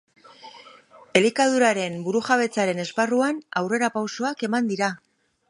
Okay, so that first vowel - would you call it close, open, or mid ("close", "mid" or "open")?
mid